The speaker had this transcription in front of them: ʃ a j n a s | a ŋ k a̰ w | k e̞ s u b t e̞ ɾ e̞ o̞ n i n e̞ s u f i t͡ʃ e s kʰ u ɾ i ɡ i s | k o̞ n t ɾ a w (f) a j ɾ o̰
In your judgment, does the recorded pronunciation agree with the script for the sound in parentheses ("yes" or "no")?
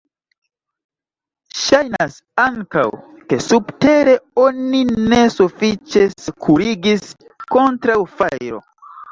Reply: yes